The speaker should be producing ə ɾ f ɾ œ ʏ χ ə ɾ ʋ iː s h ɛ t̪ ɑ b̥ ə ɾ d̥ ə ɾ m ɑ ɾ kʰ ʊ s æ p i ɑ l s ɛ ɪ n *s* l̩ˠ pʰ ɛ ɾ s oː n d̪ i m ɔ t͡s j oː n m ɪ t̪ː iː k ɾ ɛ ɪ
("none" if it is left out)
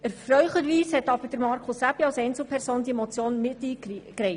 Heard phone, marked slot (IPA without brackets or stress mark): t͡s